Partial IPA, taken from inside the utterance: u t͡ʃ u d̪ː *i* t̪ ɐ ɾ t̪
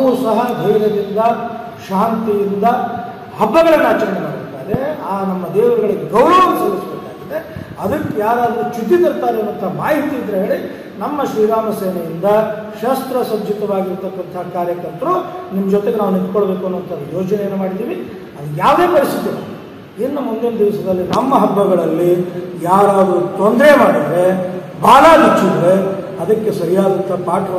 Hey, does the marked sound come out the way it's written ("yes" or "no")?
yes